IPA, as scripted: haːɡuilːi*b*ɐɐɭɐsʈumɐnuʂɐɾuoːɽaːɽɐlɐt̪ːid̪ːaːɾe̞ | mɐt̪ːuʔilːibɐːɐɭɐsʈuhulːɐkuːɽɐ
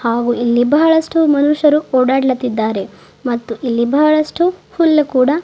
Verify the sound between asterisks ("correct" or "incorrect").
correct